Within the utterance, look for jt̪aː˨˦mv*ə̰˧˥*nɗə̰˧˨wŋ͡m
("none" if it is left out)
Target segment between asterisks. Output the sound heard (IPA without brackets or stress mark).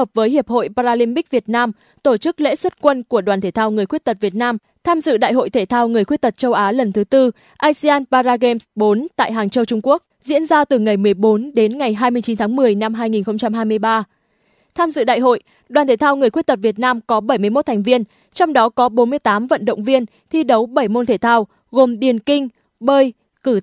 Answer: ə̰˧˨